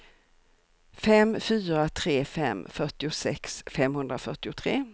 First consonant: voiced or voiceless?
voiceless